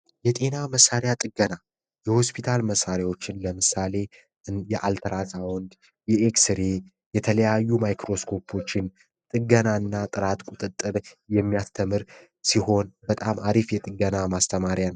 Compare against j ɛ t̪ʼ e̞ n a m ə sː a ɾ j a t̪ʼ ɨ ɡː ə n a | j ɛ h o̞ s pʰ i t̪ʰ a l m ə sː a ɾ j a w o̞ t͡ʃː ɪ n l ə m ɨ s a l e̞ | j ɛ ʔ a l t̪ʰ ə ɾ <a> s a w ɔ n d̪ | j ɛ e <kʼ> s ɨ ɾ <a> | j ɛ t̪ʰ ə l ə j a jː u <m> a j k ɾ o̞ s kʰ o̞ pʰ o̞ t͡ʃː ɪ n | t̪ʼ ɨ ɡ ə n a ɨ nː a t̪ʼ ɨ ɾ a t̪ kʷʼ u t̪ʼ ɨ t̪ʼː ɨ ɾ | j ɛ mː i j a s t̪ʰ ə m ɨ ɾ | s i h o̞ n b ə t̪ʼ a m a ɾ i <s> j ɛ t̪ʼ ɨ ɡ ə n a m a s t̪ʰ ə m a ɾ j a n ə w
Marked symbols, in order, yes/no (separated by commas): yes, no, no, yes, no